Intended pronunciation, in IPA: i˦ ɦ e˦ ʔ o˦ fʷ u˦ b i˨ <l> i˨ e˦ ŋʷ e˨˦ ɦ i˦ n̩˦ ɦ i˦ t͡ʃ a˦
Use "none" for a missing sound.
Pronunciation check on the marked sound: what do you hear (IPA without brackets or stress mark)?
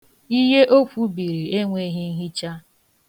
ɾ